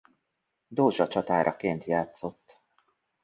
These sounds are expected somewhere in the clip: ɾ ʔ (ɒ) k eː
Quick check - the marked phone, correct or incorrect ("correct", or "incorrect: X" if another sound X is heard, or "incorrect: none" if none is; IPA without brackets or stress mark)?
correct